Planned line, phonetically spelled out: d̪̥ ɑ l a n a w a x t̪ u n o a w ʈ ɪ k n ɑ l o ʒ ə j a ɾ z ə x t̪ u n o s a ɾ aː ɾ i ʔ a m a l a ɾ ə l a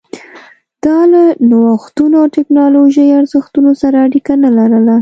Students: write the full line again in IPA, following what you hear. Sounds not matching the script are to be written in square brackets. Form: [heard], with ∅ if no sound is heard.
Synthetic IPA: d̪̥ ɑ l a n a w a x t̪ u n o a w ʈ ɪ k n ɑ l o ʒ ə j a ɾ z ə x t̪ u n o s a ɾ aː [ɽ] i [k] a [n] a l a ɾ ə l a